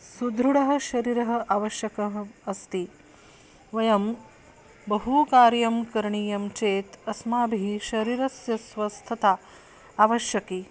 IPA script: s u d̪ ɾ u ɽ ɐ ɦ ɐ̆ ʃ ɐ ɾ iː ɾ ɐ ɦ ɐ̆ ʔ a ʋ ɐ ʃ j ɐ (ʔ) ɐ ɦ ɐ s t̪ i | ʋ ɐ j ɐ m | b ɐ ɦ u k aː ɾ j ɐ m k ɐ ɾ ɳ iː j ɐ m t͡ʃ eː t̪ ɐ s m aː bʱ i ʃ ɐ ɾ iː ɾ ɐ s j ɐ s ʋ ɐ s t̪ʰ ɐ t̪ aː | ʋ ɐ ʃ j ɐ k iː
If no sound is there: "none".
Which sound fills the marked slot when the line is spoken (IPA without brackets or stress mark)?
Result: k